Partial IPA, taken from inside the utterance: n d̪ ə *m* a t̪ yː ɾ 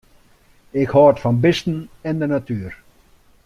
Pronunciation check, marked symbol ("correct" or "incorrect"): incorrect